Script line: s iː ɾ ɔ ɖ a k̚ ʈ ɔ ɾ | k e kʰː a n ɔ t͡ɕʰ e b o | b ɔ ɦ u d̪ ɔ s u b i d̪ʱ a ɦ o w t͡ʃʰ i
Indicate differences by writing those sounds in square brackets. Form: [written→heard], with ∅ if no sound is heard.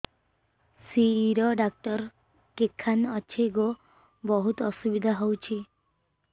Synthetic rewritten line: s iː ɾ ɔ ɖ a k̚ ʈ ɔ ɾ | k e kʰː a n ɔ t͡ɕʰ e [b→ɡ] o | b ɔ ɦ u [d̪→t̪] ɔ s u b i d̪ʱ a ɦ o w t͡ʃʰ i